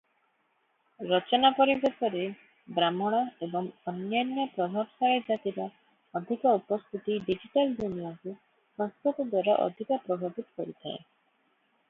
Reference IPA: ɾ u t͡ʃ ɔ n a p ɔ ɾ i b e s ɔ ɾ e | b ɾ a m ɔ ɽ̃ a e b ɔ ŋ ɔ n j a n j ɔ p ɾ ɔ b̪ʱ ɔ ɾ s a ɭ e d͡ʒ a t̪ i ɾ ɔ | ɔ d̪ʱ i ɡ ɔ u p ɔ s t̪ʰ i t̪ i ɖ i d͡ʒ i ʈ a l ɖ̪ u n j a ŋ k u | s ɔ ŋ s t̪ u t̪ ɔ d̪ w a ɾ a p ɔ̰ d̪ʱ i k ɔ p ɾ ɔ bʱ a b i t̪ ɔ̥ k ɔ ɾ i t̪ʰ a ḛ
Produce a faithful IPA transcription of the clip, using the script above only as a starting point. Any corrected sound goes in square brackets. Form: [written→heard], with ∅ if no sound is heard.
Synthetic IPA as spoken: ɾ [u→ɔ] t͡ʃ ɔ n a p ɔ ɾ i b e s ɔ ɾ e | b ɾ a m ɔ ɽ̃ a e b ɔ ŋ ɔ n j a n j ɔ p ɾ ɔ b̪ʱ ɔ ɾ s a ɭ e d͡ʒ a t̪ i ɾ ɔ | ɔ d̪ʱ i [ɡ→k] ɔ u p ɔ s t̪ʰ i t̪ i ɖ i d͡ʒ i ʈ a l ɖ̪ u n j a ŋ k u | s ɔ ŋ s t̪ u t̪ ɔ d̪ w a ɾ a [p→ʔ] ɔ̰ d̪ʱ i k ɔ p ɾ ɔ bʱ a b i t̪ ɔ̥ k ɔ ɾ i t̪ʰ a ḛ